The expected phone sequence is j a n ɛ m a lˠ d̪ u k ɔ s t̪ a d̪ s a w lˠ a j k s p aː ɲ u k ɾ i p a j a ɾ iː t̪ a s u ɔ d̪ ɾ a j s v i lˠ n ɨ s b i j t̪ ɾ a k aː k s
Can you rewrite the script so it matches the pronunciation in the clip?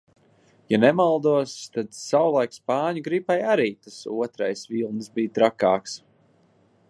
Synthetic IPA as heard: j a n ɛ m a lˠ d̪ u ɔ s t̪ a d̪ s a w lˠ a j k s p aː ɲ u ɡ ɾ i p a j a ɾ iː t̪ a s u ɔ t̪ ɾ a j s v i lˠ n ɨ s b i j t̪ ɾ a k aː k s